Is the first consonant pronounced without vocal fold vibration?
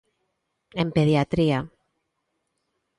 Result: no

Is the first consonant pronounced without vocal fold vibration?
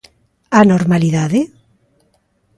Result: no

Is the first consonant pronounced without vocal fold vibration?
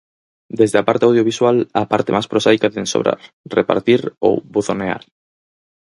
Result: no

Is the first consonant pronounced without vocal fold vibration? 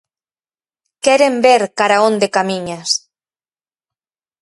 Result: yes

